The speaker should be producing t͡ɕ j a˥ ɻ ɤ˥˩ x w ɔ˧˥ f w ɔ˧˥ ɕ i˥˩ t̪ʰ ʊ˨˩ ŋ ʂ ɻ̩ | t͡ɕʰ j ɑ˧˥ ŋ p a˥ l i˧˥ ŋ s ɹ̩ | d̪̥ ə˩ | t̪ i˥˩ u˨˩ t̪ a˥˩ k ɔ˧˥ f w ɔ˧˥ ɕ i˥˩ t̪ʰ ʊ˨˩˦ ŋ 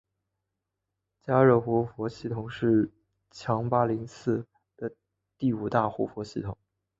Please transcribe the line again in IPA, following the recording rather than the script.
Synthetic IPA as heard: t͡ɕ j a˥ ɻ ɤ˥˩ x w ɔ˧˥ f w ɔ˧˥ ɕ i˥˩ t̪ʰ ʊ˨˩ ŋ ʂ ɻ̩ | t͡ɕʰ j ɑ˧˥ ŋ p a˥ l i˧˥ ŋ s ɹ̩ | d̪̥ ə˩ | t̪ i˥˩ u˨˩ t̪ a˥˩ x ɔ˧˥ f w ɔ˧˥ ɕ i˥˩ t̪ʰ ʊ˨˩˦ ŋ

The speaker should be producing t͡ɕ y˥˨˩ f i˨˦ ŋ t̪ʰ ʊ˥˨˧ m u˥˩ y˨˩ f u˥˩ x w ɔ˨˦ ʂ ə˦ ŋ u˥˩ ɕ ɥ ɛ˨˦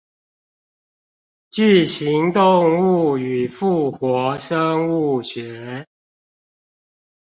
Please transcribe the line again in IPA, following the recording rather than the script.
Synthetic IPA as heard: t͡ɕ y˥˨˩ ɕ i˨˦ ŋ t̪ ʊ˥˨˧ ŋ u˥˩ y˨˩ f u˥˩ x w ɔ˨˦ ʂ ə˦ ŋ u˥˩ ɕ ɥ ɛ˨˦

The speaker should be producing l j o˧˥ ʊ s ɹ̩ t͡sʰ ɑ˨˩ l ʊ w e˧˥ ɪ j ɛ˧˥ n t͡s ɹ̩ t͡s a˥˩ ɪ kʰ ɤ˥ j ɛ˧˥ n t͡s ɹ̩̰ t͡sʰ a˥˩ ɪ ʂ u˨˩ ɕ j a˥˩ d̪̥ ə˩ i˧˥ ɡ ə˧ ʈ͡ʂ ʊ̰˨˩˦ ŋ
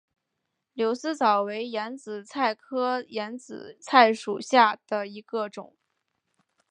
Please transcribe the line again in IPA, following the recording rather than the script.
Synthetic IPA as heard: l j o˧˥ ʊ s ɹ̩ t͡s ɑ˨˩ ʊ w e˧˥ ɪ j ɛ˧˥ n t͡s ɹ̩ t͡sʰ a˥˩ ɪ kʰ ɤ˥ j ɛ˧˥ n t͡s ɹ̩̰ t͡sʰ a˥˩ ɪ ʂ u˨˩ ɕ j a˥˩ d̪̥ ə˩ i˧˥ ɡ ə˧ ʈ͡ʂ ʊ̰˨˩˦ ŋ

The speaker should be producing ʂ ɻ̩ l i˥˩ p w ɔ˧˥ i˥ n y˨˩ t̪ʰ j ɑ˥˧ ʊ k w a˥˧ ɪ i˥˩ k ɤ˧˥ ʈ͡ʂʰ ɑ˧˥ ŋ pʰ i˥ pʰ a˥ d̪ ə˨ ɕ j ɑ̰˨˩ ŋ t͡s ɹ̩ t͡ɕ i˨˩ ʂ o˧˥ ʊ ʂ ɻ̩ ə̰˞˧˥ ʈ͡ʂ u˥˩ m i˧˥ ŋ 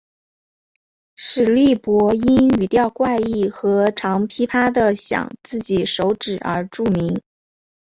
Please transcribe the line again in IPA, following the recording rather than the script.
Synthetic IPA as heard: ʂ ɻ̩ l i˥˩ p w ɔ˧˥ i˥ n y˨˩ t̪ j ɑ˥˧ ʊ k w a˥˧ ɪ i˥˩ x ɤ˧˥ ʈ͡ʂʰ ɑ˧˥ ŋ pʰ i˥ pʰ a˥ d̪ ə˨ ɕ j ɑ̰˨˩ ŋ t͡s ɹ̩ t͡ɕ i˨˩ ʂ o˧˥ ʊ ʈ͡ʂ ɻ̩ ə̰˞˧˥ ʈ͡ʂ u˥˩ m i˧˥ ŋ

